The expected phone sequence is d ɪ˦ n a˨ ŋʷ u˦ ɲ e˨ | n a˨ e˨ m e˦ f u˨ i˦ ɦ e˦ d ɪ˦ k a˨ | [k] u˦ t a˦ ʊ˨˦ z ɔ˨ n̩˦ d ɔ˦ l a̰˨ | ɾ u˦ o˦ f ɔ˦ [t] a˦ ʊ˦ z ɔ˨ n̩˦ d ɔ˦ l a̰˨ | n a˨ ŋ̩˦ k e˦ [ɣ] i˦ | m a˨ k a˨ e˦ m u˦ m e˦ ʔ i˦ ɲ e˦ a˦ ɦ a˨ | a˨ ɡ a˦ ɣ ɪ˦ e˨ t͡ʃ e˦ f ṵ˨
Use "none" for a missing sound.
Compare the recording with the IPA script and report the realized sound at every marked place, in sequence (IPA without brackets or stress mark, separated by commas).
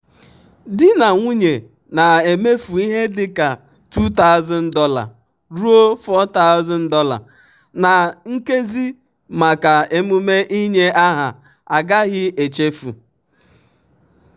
t, t, z